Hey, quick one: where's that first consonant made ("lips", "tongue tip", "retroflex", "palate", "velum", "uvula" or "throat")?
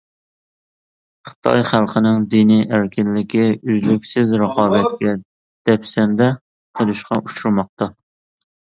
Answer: uvula